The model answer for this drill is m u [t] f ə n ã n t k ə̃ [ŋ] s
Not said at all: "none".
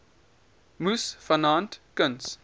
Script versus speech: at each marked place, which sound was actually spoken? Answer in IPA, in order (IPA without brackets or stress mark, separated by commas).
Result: s, n